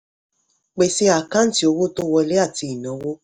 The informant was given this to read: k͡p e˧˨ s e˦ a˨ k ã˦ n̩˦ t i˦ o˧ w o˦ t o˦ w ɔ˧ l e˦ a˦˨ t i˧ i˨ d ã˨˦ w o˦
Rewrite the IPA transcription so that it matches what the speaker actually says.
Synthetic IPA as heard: k͡p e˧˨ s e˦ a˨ k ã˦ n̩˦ t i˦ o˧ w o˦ t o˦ w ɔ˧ l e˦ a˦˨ t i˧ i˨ n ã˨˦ w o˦